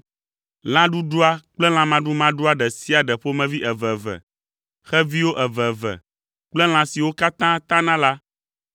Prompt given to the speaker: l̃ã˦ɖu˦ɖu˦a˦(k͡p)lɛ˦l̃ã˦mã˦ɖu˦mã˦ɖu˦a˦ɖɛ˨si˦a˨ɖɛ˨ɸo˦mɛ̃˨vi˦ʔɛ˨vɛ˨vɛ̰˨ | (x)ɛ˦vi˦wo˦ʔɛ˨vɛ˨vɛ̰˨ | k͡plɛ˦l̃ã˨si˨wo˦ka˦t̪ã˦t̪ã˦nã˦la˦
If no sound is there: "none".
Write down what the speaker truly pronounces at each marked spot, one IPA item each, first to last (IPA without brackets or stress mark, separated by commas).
k͡p, x